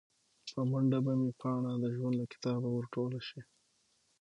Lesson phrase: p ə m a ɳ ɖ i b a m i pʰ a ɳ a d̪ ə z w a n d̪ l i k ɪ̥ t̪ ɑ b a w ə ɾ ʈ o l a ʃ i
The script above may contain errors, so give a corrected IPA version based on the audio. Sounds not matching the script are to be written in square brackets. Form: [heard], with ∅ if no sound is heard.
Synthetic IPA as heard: p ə m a ɳ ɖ [a] b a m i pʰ [ɑ] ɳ a d̪ ə [ʒ] w a n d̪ l [a] k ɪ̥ t̪ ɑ b a w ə ɾ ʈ o l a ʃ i